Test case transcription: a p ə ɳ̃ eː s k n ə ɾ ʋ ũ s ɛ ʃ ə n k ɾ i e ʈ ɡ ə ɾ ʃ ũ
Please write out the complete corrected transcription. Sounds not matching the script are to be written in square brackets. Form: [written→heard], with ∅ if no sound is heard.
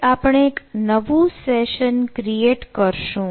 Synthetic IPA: a p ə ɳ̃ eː [s→∅] k n ə [ɾ→∅] ʋ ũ s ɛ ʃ ə n k ɾ i e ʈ [ɡ→k] ə ɾ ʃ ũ

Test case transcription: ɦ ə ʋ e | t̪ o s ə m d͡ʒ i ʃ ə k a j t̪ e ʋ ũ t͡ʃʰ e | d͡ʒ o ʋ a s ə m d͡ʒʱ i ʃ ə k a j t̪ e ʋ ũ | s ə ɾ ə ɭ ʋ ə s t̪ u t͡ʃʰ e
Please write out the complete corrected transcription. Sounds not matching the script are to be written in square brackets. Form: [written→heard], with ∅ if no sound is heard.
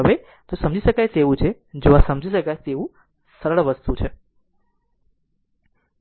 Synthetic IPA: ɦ ə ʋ e | t̪ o s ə m d͡ʒ i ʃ ə k a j t̪ e ʋ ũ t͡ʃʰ e | d͡ʒ o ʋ a s ə m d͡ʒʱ i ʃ ə k a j t̪ e ʋ ũ | s ə ɾ ə ɭ ʋ ə s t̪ u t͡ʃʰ e

